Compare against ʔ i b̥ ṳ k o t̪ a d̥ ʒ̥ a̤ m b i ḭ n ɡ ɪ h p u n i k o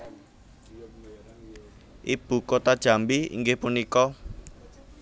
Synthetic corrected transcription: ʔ i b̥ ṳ k o t̪ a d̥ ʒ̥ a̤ m b i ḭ ŋ ɡ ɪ h p u n i k ɔ